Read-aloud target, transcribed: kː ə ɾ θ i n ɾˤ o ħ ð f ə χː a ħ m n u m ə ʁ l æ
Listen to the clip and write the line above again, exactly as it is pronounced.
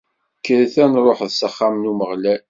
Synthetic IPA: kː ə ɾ θ æ n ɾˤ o ħ ð s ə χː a m n u m ə ʁ l æ